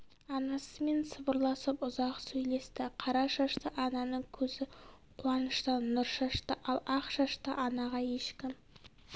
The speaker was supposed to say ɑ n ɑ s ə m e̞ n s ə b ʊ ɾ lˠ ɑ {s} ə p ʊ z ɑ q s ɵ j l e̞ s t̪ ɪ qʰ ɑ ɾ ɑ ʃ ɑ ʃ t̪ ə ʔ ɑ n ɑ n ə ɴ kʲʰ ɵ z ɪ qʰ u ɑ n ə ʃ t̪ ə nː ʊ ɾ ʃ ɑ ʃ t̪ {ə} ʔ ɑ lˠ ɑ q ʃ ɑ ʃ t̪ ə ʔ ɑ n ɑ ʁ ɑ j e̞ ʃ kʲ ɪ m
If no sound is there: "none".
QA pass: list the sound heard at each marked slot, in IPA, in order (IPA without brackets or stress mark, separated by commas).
s, ə